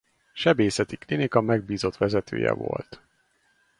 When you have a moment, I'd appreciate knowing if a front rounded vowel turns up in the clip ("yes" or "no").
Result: yes